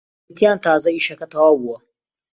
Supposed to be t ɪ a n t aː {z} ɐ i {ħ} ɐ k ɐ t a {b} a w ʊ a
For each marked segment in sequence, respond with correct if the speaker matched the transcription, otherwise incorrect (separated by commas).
correct, incorrect, incorrect